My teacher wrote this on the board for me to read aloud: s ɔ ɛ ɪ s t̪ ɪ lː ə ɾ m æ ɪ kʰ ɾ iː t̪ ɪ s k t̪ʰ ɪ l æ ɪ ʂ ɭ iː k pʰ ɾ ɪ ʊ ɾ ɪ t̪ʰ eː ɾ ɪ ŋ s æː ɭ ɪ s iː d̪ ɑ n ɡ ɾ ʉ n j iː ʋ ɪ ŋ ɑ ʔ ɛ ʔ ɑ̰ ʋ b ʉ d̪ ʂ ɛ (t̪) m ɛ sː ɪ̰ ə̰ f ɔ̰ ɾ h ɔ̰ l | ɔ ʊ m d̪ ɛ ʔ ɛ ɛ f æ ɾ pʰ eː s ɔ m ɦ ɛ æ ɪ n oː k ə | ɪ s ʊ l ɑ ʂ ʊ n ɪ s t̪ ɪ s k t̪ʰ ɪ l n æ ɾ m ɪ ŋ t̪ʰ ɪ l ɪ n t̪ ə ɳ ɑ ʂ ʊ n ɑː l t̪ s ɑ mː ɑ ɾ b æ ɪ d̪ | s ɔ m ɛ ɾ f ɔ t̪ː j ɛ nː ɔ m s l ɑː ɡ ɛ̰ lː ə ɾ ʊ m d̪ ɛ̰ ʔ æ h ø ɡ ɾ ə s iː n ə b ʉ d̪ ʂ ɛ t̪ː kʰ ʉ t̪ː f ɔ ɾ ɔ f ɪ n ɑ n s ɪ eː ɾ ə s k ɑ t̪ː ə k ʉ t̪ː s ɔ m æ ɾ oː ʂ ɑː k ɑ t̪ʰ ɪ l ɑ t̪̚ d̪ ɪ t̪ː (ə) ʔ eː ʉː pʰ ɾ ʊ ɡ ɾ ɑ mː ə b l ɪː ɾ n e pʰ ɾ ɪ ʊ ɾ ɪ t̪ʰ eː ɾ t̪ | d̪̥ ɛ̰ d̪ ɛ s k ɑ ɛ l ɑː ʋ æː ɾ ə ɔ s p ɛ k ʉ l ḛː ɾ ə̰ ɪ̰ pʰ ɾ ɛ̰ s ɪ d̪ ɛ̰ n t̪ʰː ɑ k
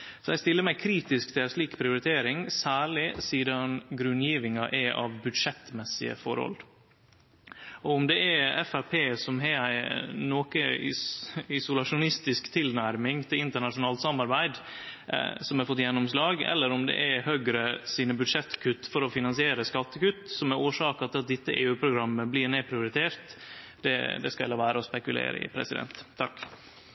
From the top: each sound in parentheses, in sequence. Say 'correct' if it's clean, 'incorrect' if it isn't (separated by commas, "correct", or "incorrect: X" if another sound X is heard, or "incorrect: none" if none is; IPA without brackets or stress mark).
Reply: correct, correct